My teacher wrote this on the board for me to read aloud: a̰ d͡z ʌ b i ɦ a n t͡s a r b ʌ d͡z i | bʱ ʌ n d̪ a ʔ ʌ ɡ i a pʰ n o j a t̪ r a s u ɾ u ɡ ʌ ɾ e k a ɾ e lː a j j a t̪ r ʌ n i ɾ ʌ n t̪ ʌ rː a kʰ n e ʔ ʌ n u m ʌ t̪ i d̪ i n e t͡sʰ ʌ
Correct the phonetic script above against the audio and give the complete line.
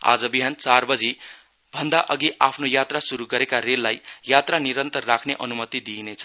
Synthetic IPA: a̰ d͡z ʌ b i ɦ a n t͡s a r b ʌ d͡z i | bʱ ʌ n d̪ a ʔ ʌ ɡ i a pʰ n o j a t̪ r a s u ɾ u ɡ ʌ ɾ e k a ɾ e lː a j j a t̪ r a n i ɾ ʌ n t̪ ʌ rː a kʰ n e ʔ ʌ n u m ʌ t̪ i d̪ i n e t͡sʰ ʌ